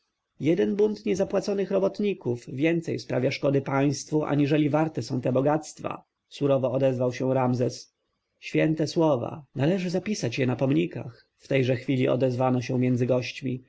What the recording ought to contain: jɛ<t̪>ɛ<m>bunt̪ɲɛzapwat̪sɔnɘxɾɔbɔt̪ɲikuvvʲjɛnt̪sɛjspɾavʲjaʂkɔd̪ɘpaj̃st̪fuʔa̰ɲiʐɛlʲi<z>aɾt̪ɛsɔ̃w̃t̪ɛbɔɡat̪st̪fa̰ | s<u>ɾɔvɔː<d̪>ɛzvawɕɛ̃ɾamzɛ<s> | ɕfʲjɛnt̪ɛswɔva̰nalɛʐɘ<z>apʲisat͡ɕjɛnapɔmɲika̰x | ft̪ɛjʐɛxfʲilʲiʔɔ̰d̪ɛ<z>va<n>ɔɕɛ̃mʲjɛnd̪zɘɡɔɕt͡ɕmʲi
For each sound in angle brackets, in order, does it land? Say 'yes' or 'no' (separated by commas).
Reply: no, no, no, yes, yes, yes, yes, yes, yes